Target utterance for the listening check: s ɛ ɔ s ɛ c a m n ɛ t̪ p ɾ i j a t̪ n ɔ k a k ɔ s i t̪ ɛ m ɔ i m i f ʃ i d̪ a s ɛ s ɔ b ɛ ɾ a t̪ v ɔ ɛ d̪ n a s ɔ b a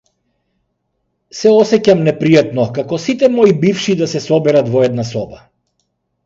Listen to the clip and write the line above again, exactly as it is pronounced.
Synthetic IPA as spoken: s ɛ ɔ s ɛ c a m n ɛ p ɾ i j a t̪ n ɔ k a k ɔ s i t̪ ɛ m ɔ i b i f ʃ i d̪ a s ɛ s ɔ b ɛ ɾ a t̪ v ɔ ɛ d̪ n a s ɔ b a